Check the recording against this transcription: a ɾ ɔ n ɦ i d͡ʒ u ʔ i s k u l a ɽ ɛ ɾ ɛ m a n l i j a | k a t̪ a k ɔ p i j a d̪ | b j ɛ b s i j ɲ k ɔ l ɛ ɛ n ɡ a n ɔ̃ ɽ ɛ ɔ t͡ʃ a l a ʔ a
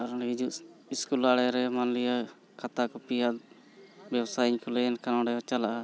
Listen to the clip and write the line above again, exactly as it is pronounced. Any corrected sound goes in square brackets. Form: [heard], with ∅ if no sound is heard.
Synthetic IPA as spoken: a ɾ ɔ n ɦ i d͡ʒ u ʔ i s k u l a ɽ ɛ ɾ ɛ m a n l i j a | k a t̪ a k ɔ p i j a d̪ | b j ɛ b s [a] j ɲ k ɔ l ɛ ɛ n [k] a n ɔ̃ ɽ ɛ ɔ t͡ʃ a l a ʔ a